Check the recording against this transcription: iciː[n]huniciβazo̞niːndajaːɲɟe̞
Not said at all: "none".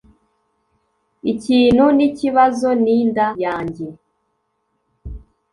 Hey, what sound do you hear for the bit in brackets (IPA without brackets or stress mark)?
n